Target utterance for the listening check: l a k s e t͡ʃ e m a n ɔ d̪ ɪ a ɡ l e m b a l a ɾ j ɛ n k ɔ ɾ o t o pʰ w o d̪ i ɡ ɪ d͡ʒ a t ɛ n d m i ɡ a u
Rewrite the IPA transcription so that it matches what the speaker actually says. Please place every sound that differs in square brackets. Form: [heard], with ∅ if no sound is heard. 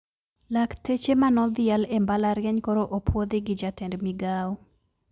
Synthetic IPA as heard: l a k [t] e t͡ʃ e m a n ɔ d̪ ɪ a [∅] l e m b a l a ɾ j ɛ [ɲ] k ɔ ɾ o [ʔ] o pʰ w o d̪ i ɡ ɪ d͡ʒ a t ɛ n d m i ɡ a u